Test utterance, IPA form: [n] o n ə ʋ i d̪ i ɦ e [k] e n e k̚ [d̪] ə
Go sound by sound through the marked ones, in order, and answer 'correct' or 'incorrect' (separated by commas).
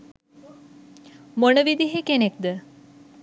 incorrect, correct, correct